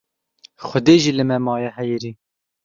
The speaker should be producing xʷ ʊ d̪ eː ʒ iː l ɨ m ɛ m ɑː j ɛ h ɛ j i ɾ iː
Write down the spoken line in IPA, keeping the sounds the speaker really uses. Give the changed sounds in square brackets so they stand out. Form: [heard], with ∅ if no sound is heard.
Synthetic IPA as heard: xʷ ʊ d̪ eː ʒ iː l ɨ m ɛ m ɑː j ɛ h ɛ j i ɾ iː